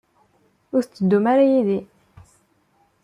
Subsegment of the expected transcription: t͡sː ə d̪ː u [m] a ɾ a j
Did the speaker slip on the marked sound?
no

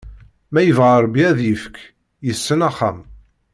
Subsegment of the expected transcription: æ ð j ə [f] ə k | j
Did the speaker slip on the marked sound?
no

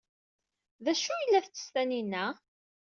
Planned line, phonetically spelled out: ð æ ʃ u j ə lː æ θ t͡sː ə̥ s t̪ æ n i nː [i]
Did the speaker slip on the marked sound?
yes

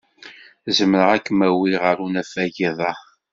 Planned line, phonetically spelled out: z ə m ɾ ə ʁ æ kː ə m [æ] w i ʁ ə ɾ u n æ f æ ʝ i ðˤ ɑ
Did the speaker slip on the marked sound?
no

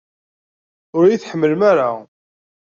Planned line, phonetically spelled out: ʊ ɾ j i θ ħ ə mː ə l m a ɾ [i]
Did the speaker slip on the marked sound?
yes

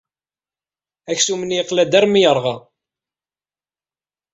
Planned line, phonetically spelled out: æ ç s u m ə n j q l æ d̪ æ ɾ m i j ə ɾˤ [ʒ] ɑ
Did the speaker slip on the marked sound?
yes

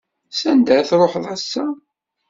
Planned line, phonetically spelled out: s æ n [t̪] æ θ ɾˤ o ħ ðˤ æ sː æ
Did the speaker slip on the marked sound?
yes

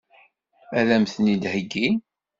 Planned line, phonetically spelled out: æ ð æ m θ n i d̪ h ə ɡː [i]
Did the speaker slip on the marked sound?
no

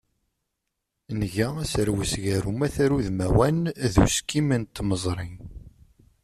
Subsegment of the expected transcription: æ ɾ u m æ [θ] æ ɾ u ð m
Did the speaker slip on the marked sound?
no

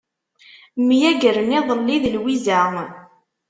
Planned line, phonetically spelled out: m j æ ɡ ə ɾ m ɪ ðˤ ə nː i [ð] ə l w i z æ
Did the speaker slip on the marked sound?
no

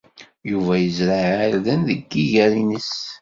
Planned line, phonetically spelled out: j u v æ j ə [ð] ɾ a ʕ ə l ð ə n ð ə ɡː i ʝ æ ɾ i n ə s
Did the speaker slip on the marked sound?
yes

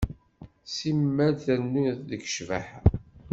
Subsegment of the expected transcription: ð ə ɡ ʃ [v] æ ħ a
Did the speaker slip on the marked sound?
no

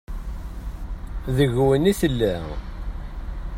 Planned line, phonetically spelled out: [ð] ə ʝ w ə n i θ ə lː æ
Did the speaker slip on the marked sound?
no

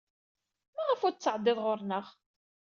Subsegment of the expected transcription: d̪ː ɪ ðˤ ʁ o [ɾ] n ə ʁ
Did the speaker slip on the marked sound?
no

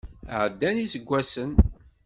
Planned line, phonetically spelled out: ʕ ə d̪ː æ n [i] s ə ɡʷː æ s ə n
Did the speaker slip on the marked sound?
no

